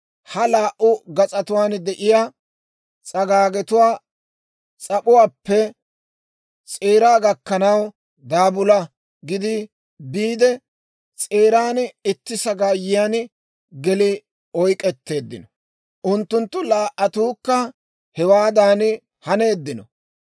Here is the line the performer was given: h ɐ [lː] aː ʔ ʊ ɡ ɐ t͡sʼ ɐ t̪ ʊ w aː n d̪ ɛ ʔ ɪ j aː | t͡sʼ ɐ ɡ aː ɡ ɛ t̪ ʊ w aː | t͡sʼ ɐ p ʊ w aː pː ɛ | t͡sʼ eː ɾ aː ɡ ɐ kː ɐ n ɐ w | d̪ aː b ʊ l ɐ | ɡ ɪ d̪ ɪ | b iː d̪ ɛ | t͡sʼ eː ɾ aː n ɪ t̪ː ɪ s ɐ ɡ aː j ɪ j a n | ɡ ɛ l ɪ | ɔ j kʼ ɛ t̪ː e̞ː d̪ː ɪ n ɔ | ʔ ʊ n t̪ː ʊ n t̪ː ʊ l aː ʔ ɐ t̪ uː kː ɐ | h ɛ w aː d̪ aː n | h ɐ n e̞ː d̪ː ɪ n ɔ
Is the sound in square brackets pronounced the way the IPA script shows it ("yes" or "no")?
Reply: no